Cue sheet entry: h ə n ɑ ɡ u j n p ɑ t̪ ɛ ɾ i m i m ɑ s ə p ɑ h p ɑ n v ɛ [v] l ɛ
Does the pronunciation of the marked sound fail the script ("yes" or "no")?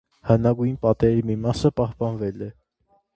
yes